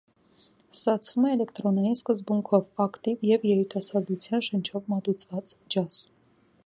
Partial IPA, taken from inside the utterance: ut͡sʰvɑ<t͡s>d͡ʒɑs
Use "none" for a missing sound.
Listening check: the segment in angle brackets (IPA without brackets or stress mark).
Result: t͡s